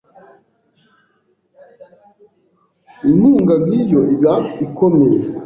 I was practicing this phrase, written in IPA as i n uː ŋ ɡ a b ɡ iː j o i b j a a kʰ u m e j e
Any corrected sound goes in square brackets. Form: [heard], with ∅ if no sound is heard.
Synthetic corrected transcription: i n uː ŋ ɡ a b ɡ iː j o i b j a [i] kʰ [o] m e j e